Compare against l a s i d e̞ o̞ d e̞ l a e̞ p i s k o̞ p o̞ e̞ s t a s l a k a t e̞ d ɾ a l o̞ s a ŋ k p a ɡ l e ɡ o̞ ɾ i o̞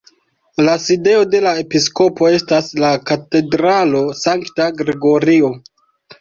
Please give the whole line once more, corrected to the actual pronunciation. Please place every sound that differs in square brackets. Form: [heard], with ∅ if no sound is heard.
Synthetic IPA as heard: l a s i d e̞ o̞ d e̞ l a e̞ p i s k o̞ p o̞ e̞ s t a s l a k a t e̞ d ɾ a l o̞ s a ŋ k [t] a ɡ [ɾ] e ɡ o̞ ɾ i o̞

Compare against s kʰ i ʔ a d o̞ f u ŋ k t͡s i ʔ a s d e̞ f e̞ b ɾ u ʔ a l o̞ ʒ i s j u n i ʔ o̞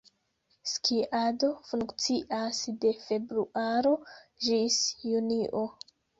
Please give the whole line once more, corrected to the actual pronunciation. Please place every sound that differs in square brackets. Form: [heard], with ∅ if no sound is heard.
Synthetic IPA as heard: s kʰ i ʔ a d o̞ f u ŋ k t͡s i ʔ a s d e̞ f e̞ b ɾ u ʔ a [ɾ] o̞ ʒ i s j u n i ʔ o̞

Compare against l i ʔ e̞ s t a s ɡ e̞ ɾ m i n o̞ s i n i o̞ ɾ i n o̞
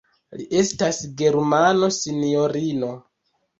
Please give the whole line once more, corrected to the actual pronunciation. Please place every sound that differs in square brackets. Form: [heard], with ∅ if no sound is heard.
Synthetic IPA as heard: l i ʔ e̞ s t a s ɡ e̞ ɾ m [a] n o̞ s i n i o̞ ɾ i n o̞

